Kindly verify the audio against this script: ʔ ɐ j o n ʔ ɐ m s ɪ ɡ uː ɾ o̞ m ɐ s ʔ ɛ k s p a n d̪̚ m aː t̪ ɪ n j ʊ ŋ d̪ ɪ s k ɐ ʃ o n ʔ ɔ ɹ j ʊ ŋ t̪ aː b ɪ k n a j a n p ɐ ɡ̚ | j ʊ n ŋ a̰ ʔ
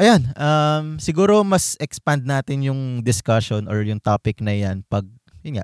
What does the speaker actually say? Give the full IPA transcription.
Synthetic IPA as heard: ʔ ɐ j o n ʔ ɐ m s ɪ ɡ uː ɾ o̞ m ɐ s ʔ ɛ k s p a n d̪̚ n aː t̪ ɪ n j ʊ ŋ d̪ ɪ s k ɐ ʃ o n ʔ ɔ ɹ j ʊ ŋ t̪ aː p ɪ k n ɐ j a n p ɐ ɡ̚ | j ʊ n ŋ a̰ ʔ